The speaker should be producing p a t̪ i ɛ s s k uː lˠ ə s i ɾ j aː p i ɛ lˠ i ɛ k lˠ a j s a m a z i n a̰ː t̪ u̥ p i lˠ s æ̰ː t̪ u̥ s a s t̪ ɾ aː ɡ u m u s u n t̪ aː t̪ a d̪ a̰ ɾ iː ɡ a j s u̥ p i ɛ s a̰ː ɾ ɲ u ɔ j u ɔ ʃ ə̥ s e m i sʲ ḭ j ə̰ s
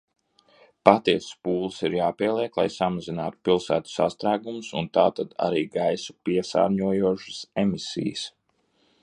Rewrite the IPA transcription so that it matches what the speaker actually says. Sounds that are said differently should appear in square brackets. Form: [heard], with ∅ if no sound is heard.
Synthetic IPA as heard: p a t̪ i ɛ s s [p] uː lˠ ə s i ɾ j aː p i ɛ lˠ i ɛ k lˠ a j s a m a z i n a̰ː t̪ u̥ p i lˠ s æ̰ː t̪ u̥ s a s t̪ ɾ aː ɡ u m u s u n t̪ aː t̪ a d̪ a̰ ɾ iː ɡ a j s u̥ p i ɛ s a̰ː ɾ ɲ u ɔ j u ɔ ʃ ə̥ s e m i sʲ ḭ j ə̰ s